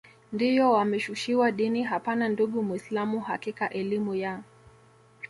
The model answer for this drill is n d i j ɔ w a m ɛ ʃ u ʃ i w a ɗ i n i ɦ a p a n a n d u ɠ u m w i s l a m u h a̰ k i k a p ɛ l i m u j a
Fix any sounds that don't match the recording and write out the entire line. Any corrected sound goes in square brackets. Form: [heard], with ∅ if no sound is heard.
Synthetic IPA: n d i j ɔ w a m ɛ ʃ u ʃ i w a ɗ i n i ɦ a p a n a n d u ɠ u m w i s l a m u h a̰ k i k a [ʔ] ɛ l i m u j a